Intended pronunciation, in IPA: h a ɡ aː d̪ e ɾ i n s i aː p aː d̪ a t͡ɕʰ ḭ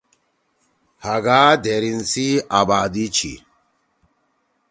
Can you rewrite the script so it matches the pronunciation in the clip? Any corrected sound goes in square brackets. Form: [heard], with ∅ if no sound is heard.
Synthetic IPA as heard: h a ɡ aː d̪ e ɾ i n s i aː [b] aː d̪ [i] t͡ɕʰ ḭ